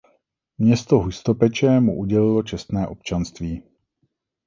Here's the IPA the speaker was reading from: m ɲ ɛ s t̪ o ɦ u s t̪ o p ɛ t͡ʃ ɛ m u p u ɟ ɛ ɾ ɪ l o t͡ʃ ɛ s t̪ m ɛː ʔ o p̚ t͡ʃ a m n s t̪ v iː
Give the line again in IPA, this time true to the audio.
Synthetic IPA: m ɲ ɛ s t̪ o ɦ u s t̪ o p ɛ t͡ʃ ɛ m u ʔ u ɟ ɛ l ɪ l o t͡ʃ ɛ s t̪ n ɛː ʔ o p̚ t͡ʃ a n s t̪ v iː